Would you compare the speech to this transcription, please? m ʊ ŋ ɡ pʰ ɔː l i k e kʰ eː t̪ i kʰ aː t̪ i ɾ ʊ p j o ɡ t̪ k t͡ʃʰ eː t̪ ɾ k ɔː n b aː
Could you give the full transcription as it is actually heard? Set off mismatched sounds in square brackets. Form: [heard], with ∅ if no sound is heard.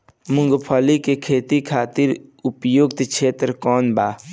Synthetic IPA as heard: m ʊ ŋ ɡ pʰ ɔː l i k e kʰ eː t̪ i kʰ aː t̪ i ɾ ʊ p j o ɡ t̪ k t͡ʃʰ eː t̪ ɾ k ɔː n b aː